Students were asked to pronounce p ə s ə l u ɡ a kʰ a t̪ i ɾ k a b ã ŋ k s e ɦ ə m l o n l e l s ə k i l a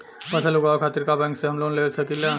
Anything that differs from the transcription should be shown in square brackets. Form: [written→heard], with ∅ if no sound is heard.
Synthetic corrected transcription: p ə s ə l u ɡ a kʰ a t̪ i ɾ k a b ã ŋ k s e ɦ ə m l o n l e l s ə k i l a